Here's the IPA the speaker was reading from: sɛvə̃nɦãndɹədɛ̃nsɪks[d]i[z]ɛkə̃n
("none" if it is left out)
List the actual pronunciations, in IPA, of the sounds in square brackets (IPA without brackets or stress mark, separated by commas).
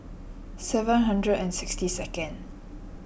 t, s